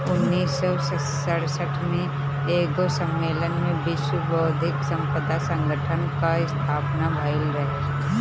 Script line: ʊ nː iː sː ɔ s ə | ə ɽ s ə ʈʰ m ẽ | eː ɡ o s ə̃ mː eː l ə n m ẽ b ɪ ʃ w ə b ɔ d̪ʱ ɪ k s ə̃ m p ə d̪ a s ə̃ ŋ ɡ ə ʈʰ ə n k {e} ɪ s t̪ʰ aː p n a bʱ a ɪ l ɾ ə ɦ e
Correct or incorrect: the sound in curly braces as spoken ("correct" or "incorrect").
incorrect